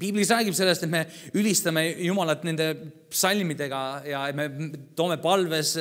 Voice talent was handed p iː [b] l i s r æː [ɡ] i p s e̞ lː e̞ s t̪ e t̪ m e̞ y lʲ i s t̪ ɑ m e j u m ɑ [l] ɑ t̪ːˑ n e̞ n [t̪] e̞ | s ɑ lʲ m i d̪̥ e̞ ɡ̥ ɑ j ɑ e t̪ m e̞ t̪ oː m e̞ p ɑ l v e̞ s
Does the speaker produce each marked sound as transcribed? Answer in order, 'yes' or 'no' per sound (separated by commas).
yes, yes, yes, no